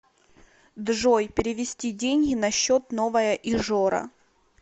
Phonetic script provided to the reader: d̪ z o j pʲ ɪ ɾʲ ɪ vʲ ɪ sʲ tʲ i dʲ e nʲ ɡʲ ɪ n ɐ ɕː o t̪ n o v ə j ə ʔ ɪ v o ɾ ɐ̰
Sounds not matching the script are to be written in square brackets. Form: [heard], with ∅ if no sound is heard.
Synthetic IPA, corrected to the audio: d̪ [ʐ] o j pʲ ɪ ɾʲ ɪ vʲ ɪ sʲ tʲ i dʲ e nʲ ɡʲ ɪ n ɐ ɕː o t̪ n o v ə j ə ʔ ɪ [ʐ] o ɾ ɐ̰